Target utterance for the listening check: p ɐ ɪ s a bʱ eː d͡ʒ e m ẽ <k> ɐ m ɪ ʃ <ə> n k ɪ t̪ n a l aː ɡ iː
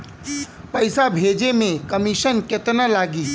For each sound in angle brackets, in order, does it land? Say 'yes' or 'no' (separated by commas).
yes, yes